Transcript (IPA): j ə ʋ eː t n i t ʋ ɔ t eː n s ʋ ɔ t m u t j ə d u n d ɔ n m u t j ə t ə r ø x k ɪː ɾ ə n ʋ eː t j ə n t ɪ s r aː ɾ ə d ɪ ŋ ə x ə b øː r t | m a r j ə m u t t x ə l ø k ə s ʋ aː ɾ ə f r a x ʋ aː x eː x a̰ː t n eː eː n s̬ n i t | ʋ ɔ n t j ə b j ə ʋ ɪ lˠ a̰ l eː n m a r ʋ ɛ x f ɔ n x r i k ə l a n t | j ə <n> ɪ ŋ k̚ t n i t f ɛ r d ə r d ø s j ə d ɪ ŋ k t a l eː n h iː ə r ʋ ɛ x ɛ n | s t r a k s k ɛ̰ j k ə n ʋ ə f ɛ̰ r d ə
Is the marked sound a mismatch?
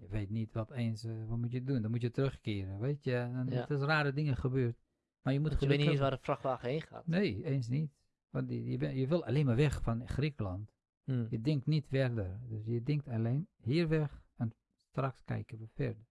yes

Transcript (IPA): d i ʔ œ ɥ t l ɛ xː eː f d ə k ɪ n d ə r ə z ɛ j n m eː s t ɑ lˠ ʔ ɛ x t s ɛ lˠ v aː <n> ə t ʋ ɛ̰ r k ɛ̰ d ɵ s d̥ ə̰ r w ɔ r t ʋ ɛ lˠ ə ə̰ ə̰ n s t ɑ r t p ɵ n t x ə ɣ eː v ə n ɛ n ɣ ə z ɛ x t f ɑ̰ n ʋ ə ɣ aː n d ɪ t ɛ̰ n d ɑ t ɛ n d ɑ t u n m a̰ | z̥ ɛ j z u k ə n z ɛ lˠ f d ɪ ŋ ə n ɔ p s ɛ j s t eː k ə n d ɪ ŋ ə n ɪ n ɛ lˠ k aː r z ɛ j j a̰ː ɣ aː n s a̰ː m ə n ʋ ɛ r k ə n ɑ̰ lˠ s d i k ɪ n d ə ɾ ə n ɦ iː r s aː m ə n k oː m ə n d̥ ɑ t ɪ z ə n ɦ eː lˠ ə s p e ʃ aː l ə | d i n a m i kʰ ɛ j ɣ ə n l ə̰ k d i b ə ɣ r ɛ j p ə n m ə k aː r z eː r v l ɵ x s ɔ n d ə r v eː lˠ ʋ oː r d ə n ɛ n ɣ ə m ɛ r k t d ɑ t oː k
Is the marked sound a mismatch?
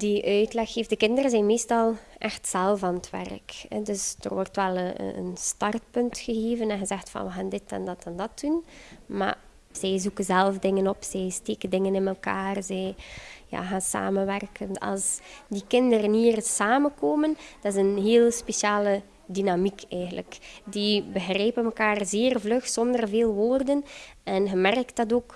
no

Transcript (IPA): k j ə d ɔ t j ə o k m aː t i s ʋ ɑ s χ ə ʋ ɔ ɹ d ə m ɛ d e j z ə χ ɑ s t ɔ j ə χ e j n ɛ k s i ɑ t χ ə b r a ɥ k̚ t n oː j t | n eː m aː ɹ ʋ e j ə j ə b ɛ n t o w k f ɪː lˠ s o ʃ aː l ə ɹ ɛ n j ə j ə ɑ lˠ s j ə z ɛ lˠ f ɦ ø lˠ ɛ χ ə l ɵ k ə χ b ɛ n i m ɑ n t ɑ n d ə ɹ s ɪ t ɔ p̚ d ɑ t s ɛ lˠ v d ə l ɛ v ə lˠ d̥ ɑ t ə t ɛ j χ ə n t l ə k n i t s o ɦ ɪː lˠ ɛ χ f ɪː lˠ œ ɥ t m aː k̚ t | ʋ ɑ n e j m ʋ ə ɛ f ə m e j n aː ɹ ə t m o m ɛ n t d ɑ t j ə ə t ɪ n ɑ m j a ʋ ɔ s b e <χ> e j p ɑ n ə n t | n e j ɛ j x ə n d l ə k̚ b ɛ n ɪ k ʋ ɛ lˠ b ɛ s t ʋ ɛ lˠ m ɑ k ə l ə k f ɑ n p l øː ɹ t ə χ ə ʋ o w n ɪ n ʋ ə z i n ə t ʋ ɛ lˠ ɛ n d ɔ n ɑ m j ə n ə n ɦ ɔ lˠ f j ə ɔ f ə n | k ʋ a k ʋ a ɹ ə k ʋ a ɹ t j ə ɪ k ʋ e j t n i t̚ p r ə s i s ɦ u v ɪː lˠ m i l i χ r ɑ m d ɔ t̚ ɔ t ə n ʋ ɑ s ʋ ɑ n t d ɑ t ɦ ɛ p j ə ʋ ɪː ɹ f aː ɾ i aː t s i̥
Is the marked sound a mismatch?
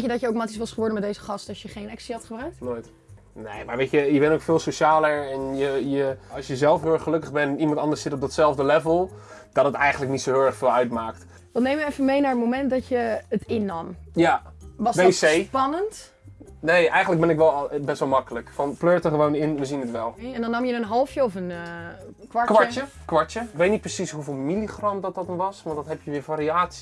yes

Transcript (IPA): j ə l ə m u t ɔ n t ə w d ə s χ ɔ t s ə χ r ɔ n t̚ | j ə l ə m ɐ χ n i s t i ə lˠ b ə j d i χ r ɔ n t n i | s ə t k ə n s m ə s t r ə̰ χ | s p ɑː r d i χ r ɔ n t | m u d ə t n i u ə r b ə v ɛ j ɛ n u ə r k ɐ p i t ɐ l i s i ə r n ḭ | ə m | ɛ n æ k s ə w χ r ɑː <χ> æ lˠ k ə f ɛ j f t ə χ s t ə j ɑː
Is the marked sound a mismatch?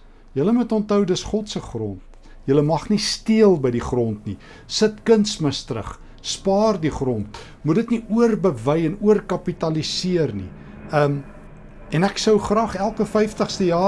no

